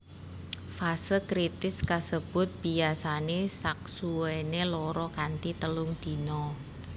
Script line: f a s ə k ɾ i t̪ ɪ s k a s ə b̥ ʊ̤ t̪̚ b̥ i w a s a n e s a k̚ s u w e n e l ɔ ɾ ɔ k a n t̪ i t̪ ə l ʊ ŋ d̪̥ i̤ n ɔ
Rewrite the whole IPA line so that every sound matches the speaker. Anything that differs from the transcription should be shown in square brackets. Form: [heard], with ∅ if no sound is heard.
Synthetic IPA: f a s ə k ɾ i t̪ ɪ s k a s ə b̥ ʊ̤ t̪̚ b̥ i [∅] a s a n e s a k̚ s u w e n e l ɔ ɾ ɔ k a n t̪ i t̪ ə l ʊ ŋ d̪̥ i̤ n ɔ